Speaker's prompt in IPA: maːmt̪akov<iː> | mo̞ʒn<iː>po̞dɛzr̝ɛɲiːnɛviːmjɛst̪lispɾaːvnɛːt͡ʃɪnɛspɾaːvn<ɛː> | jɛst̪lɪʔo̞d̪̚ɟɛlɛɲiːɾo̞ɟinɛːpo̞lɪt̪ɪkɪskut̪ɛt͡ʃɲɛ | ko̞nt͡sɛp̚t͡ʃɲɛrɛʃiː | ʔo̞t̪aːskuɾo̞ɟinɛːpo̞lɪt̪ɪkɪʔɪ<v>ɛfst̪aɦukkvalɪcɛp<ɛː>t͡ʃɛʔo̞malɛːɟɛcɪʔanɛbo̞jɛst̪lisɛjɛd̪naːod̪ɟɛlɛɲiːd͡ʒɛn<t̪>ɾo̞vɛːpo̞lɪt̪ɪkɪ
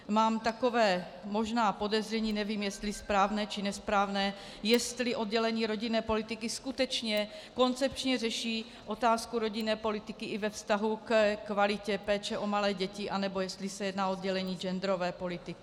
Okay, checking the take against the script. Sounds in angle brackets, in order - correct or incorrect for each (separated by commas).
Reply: incorrect, incorrect, correct, correct, correct, incorrect